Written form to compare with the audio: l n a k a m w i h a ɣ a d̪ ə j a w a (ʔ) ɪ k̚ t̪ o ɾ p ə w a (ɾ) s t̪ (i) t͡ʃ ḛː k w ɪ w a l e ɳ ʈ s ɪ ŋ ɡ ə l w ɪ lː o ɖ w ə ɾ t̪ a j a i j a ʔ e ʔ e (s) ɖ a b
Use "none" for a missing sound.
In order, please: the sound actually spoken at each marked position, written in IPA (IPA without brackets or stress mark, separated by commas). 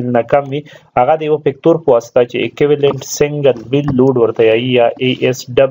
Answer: p, none, a, s